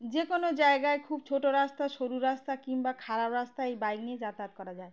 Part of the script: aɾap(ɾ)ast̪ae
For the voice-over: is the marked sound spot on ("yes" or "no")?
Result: yes